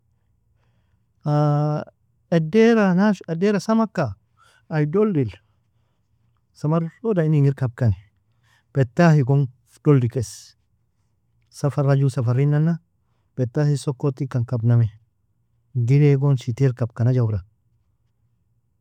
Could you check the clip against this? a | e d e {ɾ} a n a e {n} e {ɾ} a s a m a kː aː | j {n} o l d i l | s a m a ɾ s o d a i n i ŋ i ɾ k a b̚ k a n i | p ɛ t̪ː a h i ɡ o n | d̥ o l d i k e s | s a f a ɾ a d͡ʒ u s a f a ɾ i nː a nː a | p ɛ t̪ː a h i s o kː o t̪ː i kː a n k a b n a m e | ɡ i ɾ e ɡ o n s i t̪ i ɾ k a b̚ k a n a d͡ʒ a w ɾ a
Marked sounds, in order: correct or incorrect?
correct, incorrect: d, correct, incorrect: d

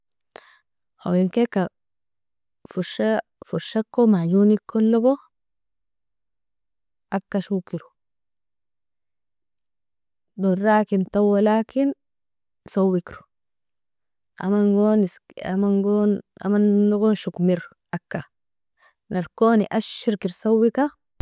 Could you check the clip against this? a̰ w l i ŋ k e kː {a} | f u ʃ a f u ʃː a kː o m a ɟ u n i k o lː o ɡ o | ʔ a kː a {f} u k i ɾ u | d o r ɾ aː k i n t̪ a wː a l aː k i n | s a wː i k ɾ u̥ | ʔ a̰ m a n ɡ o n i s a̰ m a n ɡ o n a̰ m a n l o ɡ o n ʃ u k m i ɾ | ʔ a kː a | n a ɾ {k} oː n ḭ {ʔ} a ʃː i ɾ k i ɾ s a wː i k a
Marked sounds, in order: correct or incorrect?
correct, incorrect: ʃ, correct, correct

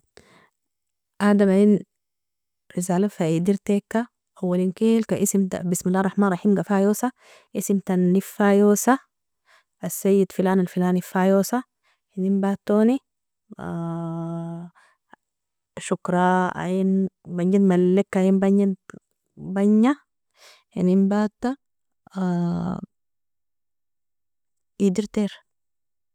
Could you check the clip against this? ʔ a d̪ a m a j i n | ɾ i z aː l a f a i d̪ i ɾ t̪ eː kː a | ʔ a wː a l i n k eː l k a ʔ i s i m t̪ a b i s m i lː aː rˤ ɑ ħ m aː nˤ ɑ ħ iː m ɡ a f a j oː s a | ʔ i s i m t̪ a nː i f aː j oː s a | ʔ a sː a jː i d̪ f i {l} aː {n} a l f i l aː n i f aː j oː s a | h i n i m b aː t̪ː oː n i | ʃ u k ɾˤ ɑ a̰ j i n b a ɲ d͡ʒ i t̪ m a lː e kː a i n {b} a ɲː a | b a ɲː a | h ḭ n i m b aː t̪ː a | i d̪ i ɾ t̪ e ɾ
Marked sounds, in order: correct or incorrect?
correct, correct, correct

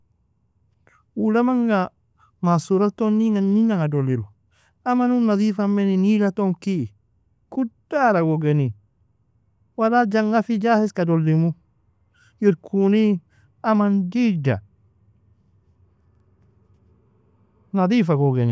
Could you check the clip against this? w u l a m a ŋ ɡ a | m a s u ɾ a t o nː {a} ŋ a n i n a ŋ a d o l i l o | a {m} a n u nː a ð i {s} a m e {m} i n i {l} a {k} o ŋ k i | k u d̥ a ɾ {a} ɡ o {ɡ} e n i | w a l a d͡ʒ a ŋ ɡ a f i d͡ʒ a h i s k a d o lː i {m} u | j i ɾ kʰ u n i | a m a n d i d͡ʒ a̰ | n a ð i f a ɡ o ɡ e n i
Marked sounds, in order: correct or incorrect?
incorrect: i, correct, incorrect: f, incorrect: n, correct, incorrect: t, correct, correct, correct

